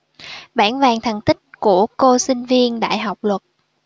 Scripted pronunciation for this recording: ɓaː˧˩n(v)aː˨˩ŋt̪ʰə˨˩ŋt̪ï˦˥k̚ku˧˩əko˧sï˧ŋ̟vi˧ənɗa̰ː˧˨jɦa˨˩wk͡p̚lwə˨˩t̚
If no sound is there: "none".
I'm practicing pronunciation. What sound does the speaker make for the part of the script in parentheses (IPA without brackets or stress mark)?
v